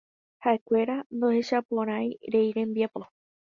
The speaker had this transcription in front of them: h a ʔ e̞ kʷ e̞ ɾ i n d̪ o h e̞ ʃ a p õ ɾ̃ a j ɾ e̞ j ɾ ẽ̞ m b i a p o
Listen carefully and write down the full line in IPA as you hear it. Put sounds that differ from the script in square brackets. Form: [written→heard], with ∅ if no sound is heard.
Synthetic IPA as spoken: h a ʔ e̞ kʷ e̞ ɾ [i→a] n d̪ o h e̞ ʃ a p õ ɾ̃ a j ɾ e̞ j ɾ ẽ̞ m b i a p o